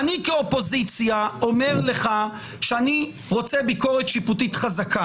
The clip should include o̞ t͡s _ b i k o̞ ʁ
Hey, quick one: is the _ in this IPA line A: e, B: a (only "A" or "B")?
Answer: A